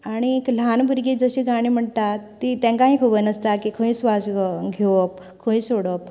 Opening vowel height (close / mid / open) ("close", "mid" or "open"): open